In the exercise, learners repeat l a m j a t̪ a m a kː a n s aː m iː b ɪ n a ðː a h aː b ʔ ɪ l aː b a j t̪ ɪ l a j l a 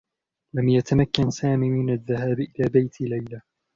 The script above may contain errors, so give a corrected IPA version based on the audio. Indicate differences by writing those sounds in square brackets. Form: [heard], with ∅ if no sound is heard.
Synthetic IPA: l a m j a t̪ a m a kː a n s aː m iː [m] ɪ n a ðː a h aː b ʔ ɪ l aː b a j t̪ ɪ l a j l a